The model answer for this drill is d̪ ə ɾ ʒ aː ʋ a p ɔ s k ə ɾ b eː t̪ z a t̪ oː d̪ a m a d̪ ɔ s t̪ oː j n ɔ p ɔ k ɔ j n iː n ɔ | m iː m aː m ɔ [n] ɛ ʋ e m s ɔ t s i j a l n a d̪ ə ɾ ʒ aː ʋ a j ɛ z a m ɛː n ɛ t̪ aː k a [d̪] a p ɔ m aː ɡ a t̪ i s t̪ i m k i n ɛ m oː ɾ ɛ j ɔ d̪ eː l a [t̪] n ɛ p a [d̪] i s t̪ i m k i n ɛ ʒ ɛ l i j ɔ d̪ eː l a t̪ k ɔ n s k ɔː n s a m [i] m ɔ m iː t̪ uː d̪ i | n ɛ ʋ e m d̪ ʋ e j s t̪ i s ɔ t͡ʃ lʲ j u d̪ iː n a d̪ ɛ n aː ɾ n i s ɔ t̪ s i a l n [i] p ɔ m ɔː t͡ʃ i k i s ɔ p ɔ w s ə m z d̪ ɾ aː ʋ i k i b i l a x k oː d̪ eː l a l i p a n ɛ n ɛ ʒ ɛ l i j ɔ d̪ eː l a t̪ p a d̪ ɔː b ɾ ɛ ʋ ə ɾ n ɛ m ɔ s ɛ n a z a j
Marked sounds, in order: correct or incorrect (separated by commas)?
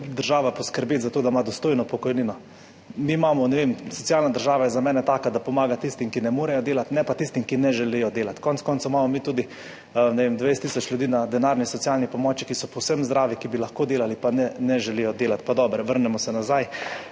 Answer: correct, correct, correct, incorrect, incorrect, correct